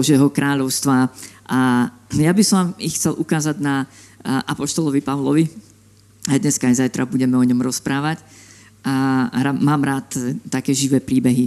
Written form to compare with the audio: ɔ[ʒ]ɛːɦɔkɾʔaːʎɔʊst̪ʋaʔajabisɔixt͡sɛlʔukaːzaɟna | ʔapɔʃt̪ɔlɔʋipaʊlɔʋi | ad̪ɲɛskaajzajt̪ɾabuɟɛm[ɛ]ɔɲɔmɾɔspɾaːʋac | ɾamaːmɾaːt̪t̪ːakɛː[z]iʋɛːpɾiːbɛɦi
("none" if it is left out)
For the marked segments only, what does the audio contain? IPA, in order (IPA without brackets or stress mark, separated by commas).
ʒ, ɛ, ʒ